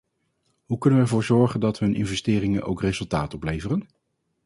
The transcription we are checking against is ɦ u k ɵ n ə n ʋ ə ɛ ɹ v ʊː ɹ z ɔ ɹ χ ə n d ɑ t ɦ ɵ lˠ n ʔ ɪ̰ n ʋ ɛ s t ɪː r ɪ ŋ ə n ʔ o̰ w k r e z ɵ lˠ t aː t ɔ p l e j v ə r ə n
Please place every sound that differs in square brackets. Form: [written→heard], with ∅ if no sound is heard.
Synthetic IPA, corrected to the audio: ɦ u k ɵ n ə n ʋ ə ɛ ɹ v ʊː ɹ z ɔ ɹ χ ə n d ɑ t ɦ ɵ [lˠ→∅] n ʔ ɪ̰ n [ʋ→v] ɛ s t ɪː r ɪ ŋ ə n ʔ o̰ w k r e z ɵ lˠ t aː t ɔ p l e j v ə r ə n